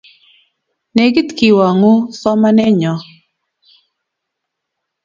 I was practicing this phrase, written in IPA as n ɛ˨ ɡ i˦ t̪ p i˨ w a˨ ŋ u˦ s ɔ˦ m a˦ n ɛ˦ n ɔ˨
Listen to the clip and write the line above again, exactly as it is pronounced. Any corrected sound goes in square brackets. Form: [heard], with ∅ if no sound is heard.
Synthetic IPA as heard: n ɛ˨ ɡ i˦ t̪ [k] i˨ w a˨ ŋ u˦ s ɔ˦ m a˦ n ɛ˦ [ɲ] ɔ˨